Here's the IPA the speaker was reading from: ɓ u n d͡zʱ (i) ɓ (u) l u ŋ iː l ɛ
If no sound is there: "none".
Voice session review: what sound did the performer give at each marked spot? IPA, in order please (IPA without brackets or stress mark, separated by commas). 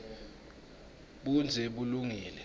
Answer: ɛ, u